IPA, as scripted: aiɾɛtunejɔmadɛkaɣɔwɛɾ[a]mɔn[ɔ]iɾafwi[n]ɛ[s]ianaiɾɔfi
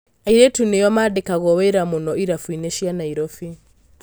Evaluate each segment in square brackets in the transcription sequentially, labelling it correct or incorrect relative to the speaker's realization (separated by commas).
correct, correct, correct, incorrect